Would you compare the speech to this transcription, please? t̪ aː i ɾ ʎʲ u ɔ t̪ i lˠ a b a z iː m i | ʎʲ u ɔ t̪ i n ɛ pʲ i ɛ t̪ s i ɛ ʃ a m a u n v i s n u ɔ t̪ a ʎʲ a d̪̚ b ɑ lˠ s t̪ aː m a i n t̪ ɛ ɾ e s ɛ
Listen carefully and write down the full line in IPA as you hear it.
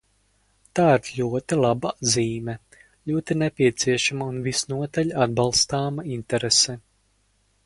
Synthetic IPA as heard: t̪ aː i ɾ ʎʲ u ɔ t̪ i lˠ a b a z iː m ɛ | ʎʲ u ɔ t̪ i n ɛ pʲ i ɛ t̪ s i ɛ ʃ a m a u n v i s n u ɔ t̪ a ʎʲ a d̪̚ b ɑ lˠ s t̪ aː m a i n t̪ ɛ ɾ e s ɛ

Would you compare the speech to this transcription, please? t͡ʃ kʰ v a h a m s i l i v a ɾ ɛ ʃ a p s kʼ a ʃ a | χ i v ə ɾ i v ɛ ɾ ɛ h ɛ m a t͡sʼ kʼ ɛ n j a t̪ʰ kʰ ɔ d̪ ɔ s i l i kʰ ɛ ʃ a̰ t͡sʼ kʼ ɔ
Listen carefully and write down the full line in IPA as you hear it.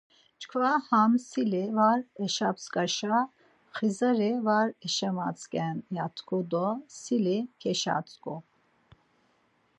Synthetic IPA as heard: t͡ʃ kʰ v a h a m s i l i v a ɾ ɛ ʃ a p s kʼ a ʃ a | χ i z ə ɾ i v a ɾ ɛ ʃ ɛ m a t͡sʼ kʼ ɛ n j a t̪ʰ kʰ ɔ d̪ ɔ s i l i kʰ ɛ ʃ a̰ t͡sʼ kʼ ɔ

